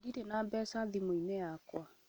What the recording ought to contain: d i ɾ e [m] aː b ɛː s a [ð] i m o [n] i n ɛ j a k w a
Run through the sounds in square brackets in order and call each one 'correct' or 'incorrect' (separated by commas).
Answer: incorrect, correct, incorrect